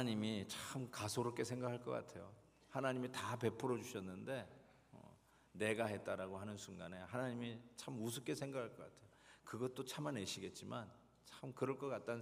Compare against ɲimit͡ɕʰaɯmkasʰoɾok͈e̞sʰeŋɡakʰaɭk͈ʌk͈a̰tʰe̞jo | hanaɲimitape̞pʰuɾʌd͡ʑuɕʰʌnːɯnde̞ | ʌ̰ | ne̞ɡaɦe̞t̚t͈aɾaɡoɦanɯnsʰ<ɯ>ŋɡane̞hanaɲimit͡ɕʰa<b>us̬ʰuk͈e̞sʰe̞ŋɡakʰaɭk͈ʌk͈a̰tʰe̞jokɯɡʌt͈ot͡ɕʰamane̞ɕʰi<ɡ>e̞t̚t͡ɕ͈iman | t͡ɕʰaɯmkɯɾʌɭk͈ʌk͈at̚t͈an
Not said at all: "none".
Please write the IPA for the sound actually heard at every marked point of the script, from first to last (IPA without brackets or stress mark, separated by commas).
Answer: u, m, ɡ